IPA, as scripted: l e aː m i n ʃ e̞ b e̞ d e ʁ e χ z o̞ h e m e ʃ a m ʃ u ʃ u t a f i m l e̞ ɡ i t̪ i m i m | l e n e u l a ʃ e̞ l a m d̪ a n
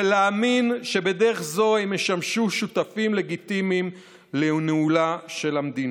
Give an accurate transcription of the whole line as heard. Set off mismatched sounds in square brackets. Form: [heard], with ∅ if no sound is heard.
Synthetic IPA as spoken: l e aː m i n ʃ e̞ b e̞ d e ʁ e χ z o̞ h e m e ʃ a m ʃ u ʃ u t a f i m l e̞ ɡ i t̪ i m i m | l e n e u l a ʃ e̞ l a m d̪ [i] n